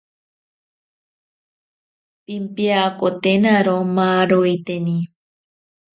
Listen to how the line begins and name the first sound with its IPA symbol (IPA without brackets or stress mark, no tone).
p